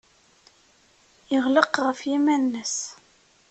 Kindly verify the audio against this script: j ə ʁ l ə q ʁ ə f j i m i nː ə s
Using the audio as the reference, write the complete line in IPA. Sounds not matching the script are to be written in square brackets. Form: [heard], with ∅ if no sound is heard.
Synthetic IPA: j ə ʁ l ə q ʁ ə f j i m [æ] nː ə s